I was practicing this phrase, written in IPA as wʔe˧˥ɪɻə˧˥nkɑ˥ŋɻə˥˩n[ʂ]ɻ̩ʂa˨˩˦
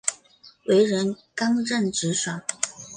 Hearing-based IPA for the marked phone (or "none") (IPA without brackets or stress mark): ʈ͡ʂ